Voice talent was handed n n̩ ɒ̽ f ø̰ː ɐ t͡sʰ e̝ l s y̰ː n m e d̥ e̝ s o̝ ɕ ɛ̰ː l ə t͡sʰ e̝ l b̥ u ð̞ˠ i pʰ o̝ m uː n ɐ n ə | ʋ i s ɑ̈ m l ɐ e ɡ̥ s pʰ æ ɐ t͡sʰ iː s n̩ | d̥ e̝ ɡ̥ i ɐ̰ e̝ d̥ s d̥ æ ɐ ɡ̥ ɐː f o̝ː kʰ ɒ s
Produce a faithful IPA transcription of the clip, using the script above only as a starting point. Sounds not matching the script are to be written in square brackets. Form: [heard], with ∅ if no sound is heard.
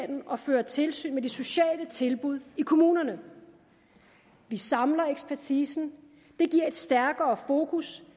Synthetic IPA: n n̩ ɒ̽ f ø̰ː ɐ t͡sʰ e̝ l s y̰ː n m e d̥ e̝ s o̝ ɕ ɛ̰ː l ə t͡sʰ e̝ l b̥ u ð̞ˠ i [kʰ] o̝ m uː n ɐ n ə | ʋ i s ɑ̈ m l ɐ e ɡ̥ s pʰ æ ɐ t͡sʰ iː s n̩ | d̥ e̝ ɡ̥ i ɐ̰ e̝ d̥ s d̥ æ ɐ ɡ̥ ɐː f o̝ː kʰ [u] s